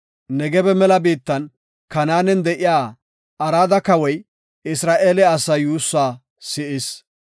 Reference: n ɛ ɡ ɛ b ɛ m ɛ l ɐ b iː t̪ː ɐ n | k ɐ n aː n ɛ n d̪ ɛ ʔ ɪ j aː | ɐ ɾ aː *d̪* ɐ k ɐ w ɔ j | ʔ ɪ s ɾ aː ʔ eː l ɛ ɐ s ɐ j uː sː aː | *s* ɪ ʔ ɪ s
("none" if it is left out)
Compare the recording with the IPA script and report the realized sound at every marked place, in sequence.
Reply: d̪, s

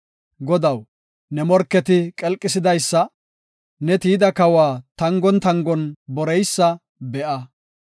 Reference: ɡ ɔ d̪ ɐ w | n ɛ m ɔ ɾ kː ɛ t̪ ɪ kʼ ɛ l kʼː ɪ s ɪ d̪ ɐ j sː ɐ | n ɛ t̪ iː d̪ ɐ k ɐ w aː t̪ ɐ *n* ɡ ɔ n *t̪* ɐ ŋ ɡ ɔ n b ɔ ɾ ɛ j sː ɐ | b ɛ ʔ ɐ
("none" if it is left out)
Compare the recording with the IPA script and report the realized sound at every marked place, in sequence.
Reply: ŋ, t̪

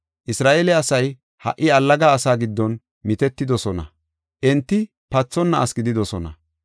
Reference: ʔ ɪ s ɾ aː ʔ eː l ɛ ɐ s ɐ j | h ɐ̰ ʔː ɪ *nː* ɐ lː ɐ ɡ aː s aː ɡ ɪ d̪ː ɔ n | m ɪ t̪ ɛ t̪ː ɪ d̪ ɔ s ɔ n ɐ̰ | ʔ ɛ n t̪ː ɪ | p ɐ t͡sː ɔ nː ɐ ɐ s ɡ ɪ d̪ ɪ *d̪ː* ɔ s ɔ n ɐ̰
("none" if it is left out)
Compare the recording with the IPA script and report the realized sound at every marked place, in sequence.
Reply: none, d̪

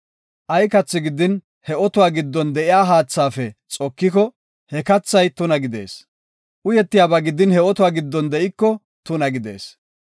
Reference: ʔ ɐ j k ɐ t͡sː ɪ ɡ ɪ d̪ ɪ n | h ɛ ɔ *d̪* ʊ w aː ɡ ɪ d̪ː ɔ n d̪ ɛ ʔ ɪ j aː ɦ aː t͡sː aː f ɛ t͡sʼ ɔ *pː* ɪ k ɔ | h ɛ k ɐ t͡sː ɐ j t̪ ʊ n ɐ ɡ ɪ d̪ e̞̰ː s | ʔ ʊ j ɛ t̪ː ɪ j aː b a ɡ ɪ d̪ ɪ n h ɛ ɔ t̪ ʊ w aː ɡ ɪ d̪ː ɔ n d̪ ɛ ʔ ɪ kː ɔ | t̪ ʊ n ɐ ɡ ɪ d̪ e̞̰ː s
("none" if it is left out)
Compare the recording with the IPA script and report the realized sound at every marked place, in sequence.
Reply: t̪, kː

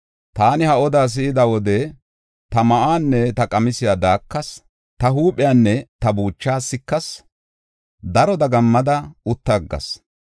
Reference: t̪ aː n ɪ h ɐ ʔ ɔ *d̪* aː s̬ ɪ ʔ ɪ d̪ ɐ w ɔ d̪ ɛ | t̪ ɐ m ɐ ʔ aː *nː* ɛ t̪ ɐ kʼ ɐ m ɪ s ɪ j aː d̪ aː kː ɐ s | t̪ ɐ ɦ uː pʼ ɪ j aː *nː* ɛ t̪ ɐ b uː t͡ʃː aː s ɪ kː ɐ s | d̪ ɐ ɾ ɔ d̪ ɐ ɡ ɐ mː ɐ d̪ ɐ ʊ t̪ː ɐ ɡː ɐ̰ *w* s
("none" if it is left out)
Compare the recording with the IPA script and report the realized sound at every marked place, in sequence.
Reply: d̪, nː, nː, none

